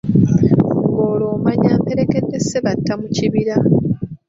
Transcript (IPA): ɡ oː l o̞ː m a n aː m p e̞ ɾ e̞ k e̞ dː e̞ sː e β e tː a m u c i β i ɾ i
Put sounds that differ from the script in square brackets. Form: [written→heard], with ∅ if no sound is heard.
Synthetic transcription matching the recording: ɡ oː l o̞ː m a [n→ɲ] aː m p e̞ ɾ e̞ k e̞ dː e̞ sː e β [e→a] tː a m u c i β i ɾ [i→a]